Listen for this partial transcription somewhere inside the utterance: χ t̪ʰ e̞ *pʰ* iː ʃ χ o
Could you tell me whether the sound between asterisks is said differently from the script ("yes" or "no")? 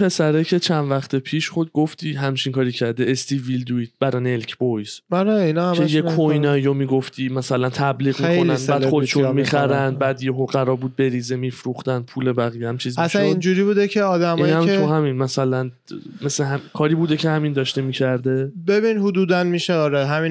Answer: no